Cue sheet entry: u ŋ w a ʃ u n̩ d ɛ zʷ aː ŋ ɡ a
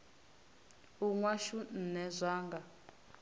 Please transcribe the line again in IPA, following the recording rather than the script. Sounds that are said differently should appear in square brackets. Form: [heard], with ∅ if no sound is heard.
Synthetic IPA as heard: u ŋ w a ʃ u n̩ [n] ɛ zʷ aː ŋ ɡ a